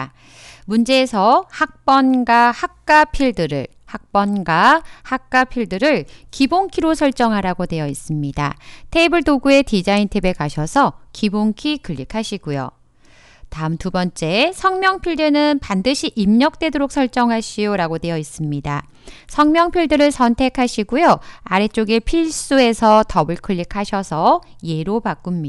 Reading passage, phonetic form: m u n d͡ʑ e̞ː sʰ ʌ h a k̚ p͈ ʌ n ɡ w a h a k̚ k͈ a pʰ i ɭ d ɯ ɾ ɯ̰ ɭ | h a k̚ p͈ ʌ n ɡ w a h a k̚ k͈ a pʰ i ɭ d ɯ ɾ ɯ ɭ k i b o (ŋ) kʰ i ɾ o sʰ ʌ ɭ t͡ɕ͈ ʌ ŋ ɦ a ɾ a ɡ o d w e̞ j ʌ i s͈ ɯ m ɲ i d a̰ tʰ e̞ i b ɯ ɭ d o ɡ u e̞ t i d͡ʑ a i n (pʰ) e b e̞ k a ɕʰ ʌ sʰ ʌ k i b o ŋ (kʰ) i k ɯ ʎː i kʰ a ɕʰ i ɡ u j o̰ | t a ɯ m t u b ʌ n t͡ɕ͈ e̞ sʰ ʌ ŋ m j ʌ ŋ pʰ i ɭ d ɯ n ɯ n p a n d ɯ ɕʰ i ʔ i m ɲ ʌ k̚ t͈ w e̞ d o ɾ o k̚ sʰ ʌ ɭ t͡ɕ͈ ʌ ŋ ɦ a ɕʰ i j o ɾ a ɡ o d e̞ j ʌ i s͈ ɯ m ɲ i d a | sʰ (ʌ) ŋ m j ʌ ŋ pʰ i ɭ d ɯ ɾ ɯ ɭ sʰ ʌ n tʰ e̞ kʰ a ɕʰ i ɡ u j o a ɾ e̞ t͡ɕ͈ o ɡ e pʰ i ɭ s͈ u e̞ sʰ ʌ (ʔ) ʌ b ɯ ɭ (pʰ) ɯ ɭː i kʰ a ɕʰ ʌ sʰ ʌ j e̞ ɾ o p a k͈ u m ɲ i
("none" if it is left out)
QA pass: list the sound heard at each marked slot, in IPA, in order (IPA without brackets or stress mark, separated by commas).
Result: ŋ, tʰ, kʰ, ʌ, t, kʰ